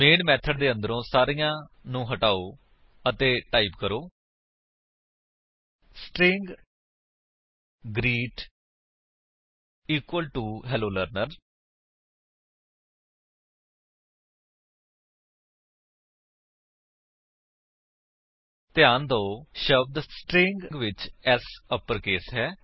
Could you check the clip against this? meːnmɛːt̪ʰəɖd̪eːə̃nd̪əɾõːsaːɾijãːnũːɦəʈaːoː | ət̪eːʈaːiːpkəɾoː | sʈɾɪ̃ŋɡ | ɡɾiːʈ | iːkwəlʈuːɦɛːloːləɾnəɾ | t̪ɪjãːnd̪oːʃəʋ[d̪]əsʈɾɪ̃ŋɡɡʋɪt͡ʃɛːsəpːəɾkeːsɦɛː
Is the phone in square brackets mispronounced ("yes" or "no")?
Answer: no